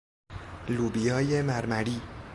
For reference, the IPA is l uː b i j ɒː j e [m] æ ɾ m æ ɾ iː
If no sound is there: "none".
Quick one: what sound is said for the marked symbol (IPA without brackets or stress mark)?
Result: m